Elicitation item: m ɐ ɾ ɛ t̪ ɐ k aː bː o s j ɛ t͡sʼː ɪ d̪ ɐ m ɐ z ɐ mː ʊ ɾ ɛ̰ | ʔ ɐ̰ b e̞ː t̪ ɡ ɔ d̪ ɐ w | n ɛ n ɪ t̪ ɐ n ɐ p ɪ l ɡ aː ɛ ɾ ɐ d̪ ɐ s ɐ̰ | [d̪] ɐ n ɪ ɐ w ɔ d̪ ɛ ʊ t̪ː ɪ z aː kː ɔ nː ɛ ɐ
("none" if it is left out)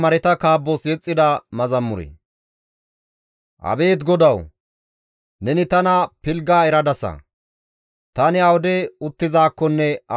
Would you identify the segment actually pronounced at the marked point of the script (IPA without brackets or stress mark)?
t̪